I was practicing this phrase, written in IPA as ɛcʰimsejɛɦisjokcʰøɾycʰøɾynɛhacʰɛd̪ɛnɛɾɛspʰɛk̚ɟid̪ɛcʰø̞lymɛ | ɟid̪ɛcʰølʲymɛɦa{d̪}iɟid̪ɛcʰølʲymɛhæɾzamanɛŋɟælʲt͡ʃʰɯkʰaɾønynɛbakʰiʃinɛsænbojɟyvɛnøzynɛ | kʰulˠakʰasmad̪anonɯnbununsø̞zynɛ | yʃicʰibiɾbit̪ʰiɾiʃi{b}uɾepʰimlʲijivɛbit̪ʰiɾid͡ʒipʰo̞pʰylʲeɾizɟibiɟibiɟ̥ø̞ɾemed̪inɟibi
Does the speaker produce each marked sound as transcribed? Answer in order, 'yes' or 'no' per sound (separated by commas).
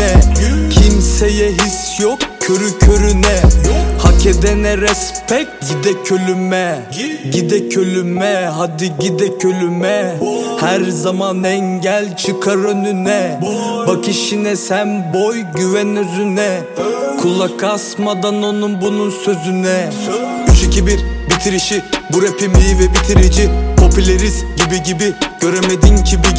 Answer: yes, yes